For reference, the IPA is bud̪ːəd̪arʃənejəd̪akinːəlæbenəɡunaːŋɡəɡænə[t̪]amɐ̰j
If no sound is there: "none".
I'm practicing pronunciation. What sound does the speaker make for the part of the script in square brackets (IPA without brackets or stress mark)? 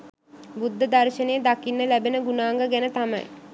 t̪